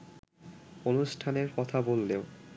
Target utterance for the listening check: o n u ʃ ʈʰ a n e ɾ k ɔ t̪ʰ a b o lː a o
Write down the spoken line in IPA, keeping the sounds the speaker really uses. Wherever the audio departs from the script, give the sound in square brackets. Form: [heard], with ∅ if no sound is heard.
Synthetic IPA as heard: o n u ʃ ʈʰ a n e ɾ k ɔ t̪ʰ a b o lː [e] o